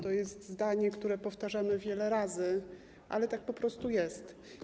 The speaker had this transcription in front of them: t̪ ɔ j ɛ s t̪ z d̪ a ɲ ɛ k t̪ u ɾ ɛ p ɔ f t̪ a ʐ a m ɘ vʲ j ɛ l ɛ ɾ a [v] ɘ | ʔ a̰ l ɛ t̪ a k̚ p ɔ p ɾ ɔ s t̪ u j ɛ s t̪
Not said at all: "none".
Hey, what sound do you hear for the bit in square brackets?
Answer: z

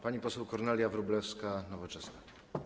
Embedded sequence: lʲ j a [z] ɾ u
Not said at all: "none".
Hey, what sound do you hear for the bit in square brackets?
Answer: v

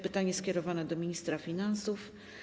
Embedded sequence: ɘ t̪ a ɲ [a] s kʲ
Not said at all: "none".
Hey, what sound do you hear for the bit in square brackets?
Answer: ɛ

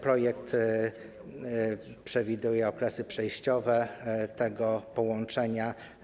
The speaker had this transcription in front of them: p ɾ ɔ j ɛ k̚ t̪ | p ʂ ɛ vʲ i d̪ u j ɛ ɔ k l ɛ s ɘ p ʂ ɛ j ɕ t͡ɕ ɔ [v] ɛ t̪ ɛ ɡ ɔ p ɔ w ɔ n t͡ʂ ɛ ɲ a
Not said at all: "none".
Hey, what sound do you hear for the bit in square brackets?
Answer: v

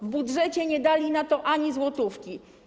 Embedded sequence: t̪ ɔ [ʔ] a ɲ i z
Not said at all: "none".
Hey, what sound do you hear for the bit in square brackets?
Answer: ʔ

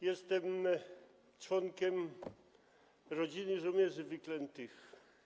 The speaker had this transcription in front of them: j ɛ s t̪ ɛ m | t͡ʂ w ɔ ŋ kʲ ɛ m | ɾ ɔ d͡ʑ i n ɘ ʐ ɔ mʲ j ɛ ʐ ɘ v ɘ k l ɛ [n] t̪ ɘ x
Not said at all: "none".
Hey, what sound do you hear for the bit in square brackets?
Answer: n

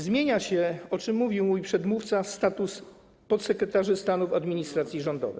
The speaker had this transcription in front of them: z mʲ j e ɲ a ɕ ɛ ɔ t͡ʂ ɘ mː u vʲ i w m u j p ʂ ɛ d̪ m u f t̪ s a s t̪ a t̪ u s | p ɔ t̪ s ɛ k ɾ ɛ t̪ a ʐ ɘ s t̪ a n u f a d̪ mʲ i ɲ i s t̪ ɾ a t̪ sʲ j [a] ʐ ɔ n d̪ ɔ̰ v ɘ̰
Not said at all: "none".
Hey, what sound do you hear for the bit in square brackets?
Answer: i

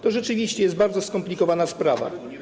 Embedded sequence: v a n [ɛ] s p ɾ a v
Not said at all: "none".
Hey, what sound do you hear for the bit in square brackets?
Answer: a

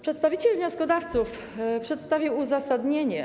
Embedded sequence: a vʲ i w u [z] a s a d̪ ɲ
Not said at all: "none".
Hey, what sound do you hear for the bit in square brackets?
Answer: z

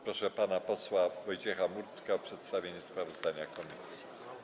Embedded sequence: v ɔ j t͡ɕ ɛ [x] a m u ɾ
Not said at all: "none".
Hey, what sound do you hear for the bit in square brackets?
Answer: x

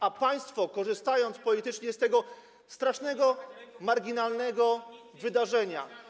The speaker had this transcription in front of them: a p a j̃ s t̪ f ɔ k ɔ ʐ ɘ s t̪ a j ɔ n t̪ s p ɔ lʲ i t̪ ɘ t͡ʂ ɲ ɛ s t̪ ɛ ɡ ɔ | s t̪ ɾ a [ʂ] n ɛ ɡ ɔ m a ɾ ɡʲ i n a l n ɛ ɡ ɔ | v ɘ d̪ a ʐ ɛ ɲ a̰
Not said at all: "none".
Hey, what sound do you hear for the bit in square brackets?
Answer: ʂ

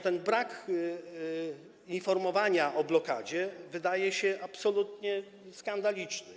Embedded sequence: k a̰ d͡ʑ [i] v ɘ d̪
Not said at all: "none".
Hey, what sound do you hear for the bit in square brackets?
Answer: ɛ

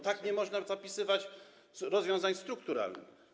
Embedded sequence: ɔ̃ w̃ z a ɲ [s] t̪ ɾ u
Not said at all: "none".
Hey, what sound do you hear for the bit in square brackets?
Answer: s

